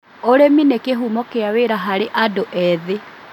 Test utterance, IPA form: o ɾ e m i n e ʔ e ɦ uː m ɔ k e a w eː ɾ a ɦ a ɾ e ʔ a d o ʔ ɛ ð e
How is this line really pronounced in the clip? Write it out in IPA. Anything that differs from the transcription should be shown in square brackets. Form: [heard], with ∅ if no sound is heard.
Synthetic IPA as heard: o ɾ e m i n e [k] e ɦ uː m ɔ k e a w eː ɾ a ɦ a ɾ e ʔ a d o ʔ ɛ ð e